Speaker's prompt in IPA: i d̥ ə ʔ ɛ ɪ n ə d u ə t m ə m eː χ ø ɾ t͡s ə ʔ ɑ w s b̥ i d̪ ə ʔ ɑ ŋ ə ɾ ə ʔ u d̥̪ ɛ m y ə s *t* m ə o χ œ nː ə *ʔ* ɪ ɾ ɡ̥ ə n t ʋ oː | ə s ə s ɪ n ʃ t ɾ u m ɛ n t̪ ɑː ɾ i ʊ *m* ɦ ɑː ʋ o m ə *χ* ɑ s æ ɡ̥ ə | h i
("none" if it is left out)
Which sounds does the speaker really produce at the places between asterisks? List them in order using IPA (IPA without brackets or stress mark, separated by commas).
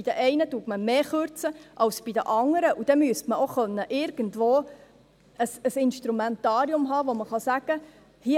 t, ʔ, m, χ